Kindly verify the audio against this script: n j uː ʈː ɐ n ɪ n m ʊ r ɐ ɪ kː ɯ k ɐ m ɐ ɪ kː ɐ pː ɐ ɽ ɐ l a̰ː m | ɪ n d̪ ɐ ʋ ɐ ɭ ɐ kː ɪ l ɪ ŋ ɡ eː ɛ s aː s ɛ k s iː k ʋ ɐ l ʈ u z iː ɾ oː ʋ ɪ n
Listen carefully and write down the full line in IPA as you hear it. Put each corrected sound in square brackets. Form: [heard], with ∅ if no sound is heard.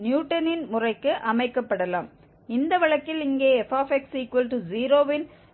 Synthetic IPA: n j uː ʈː ɐ n ɪ n m ʊ r ɐ ɪ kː ɯ [ʔ] ɐ m ɐ ɪ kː ɐ pː ɐ ɽ ɐ l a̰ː m | ɪ n d̪ ɐ ʋ ɐ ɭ ɐ kː ɪ l ɪ ŋ ɡ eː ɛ [f] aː [f] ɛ k s iː k ʋ ɐ l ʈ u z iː ɾ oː ʋ ɪ n

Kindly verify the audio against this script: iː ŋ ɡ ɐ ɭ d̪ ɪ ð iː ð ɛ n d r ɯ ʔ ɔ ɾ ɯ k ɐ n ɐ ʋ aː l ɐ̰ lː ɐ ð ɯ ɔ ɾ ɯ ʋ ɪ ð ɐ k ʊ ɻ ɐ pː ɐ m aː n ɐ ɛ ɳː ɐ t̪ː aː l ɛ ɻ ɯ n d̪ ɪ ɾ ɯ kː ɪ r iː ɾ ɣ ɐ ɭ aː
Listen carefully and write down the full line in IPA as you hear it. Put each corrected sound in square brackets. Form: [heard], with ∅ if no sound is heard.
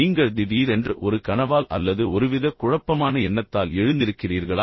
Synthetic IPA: iː ŋ ɡ ɐ ɭ d̪ ɪ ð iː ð ɛ n d r ɯ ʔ ɔ ɾ ɯ k ɐ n ɐ ʋ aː l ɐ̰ lː ɐ ð ɯ ɔ ɾ ɯ ʋ ɪ ð ɐ k ʊ ɻ ɐ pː ɐ m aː n ɐ ɛ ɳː ɐ t̪ː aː l ɛ ɻ ɯ n d̪ ɪ ɾ ɯ kː ɪ r iː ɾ ɣ ɐ ɭ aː

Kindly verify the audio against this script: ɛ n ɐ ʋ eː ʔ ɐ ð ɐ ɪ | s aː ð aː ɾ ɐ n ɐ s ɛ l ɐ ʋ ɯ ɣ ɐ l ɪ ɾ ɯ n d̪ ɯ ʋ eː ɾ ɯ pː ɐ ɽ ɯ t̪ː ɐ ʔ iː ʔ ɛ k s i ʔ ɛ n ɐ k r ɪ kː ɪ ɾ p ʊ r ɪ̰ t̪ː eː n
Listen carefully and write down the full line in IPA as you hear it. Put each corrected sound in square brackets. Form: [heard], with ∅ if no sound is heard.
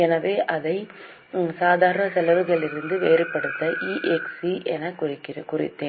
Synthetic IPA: ɛ n ɐ ʋ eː ʔ ɐ ð ɐ ɪ | s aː ð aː ɾ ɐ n ɐ s ɛ l ɐ ʋ ɯ ɣ ɐ [ɭ] ɪ ɾ ɯ n d̪ ɯ ʋ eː ɾ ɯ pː ɐ ɽ ɯ t̪ː ɐ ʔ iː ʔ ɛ k s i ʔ ɛ n ɐ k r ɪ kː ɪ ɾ [k] ʊ r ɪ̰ t̪ː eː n

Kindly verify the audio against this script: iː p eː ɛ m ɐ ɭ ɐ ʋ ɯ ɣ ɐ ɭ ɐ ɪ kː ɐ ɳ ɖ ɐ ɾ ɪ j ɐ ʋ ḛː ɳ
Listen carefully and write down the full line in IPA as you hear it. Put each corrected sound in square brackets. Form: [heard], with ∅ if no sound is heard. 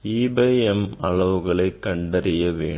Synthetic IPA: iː [b] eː ɛ m ɐ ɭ ɐ ʋ ɯ ɣ ɐ ɭ ɐ ɪ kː ɐ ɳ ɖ ɐ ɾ ɪ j ɐ ʋ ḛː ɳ

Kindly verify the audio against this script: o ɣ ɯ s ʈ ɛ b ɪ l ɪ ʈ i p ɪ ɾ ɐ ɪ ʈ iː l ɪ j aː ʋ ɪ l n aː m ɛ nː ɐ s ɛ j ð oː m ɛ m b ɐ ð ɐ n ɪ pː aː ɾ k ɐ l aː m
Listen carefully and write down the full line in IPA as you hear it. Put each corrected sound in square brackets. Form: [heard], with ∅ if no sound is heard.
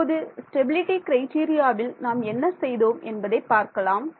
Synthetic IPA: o [ð] ɯ s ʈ ɛ b ɪ l ɪ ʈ i [k] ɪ ɾ ɐ ɪ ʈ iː [ɾ] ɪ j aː ʋ ɪ l n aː m ɛ nː ɐ s ɛ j ð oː m ɛ [n] b ɐ ð ɐ [∅] ɪ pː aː ɾ k ɐ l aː m

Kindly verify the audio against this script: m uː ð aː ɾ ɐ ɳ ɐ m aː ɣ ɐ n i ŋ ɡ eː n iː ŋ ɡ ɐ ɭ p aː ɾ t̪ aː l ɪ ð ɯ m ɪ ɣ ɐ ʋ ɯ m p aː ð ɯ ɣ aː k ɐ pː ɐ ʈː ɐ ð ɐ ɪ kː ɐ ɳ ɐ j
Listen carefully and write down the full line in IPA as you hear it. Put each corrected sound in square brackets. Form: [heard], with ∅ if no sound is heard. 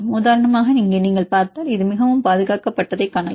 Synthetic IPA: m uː ð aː ɾ ɐ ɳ ɐ m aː ɣ ɐ n i ŋ ɡ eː n iː ŋ ɡ ɐ ɭ p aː ɾ t̪ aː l ɪ ð ɯ m ɪ ɣ ɐ ʋ ɯ m p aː ð ɯ ɣ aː k ɐ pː ɐ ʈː ɐ ð ɐ ɪ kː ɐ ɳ ɐ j

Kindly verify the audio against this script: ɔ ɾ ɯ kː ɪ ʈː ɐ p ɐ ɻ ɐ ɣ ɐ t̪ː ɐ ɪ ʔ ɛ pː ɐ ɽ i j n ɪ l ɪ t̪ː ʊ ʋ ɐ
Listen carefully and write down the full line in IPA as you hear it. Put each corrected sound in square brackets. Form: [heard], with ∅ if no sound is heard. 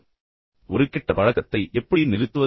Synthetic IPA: ɔ ɾ ɯ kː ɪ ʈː ɐ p ɐ ɻ ɐ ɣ ɐ t̪ː ɐ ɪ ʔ ɛ pː ɐ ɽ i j n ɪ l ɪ t̪ː [ɯ] ʋ ɐ

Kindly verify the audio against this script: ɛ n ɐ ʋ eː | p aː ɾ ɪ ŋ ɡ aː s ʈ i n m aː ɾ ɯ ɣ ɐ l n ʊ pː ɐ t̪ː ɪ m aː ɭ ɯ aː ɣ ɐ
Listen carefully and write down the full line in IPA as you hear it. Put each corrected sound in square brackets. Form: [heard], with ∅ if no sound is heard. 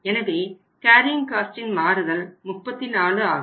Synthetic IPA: ɛ n ɐ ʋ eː | [k] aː ɾ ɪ ŋ [k] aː s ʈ [ɪ] n m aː ɾ ɯ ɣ ɐ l [m] ʊ pː ɐ t̪ː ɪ [n] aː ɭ ɯ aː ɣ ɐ

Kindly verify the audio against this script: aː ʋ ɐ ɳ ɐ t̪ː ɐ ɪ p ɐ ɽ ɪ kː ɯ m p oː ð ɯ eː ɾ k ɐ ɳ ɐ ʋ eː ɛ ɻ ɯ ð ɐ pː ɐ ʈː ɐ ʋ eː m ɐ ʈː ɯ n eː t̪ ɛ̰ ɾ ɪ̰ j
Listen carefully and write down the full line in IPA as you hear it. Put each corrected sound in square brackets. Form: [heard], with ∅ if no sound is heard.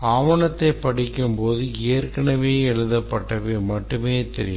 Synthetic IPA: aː ʋ ɐ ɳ ɐ t̪ː ɐ ɪ p ɐ ɽ ɪ kː ɯ m p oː ð ɯ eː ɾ k ɐ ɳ ɐ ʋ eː ɛ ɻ ɯ ð ɐ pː ɐ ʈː ɐ ʋ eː m ɐ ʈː ɯ [m] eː t̪ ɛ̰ ɾ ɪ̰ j

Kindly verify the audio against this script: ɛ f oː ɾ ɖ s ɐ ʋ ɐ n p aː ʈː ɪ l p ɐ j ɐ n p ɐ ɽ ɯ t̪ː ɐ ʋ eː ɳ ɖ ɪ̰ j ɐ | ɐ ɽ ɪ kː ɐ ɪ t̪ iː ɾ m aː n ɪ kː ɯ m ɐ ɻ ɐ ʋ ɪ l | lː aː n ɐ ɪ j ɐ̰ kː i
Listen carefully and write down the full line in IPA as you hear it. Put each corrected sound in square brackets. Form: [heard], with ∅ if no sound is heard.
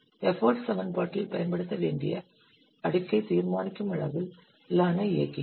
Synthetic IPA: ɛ f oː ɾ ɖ s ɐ ʋ ɐ n p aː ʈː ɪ l p ɐ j ɐ n p ɐ ɽ ɯ t̪ː ɐ ʋ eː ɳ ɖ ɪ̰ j ɐ | ɐ ɽ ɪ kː ɐ ɪ t̪ iː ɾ m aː n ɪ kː ɯ m ɐ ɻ ɐ ʋ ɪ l | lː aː n ɐ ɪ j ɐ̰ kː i

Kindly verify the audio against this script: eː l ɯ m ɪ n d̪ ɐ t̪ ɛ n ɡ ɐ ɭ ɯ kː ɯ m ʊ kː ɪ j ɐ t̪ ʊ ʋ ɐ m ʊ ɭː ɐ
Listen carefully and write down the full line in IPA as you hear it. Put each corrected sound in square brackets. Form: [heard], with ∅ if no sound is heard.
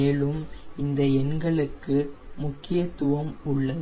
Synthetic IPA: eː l ɯ m ɪ n d̪ ɐ [∅] ɛ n ɡ ɐ ɭ ɯ kː ɯ m ʊ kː ɪ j ɐ t̪ ʊ ʋ ɐ m ʊ ɭː ɐ

